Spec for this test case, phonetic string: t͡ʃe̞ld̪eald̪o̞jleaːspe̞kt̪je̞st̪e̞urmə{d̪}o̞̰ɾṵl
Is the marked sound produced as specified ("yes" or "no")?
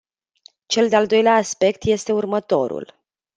no